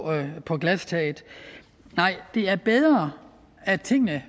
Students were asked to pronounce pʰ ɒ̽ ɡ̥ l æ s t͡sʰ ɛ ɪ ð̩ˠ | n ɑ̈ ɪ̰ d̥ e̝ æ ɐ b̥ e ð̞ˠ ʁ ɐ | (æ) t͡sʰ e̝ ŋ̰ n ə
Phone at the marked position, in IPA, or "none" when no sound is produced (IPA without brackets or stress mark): æ